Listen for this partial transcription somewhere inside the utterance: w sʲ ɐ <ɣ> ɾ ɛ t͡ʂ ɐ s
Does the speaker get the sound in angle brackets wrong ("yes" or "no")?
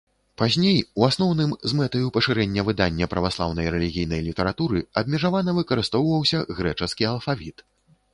no